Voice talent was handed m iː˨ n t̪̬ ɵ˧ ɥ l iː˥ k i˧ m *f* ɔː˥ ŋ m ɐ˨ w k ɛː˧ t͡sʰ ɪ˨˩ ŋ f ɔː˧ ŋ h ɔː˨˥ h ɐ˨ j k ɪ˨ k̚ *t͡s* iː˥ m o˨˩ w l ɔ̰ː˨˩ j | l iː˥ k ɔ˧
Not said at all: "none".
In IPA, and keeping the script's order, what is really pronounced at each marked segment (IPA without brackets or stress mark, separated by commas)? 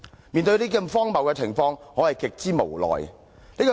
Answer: f, t͡s